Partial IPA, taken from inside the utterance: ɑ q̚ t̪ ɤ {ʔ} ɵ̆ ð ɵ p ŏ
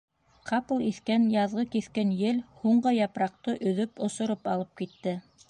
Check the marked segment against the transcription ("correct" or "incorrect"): correct